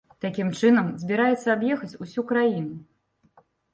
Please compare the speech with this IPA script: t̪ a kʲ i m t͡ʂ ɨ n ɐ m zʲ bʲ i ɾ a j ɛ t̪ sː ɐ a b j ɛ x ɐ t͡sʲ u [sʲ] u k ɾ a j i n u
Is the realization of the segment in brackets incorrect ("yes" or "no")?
no